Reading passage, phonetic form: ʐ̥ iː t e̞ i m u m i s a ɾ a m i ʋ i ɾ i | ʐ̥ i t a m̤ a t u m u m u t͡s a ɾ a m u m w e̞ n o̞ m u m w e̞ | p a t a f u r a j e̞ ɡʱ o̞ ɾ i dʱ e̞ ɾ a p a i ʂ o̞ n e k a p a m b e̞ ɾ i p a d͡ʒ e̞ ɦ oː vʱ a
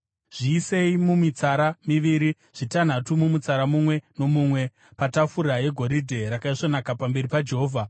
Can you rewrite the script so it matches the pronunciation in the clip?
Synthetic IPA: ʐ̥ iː s e̞ i m u m i t͡s a ɾ a m i ʋ i ɾ i | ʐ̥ i t a n̤ a t u m u m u t͡s a ɾ a m u m w e̞ n o̞ m u m w e̞ | p a t a f u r a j e̞ ɡʱ o̞ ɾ i dʱ e̞ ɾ a k a i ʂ o̞ n a k a p a m b e̞ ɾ i p a d͡ʒ e̞ ɦ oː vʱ a